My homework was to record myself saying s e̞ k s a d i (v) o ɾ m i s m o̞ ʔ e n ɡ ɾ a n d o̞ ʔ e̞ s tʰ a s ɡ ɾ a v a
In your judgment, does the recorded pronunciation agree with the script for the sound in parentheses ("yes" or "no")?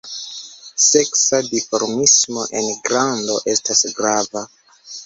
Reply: no